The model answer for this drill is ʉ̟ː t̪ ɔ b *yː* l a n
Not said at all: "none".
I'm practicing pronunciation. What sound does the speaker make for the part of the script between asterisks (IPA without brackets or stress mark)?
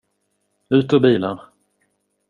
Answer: iː